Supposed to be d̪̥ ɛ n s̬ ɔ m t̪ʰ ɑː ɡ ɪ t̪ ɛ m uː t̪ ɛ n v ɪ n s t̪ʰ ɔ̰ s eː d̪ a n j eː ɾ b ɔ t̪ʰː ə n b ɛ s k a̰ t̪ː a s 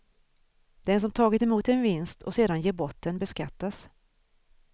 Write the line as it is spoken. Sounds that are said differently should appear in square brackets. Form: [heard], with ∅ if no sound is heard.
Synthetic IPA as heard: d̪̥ ɛ n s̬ ɔ m t̪ʰ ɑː ɡ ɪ t̪ ɛ m uː t̪ ɛ n v ɪ n s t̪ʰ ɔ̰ s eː d̪ a n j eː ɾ b ɔ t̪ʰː ə n b ɛ s k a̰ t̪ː a s